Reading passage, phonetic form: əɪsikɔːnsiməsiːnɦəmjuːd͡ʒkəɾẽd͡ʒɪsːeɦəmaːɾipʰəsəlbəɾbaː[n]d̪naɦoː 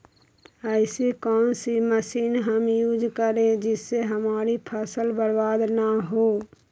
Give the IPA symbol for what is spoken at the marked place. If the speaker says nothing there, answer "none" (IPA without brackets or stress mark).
none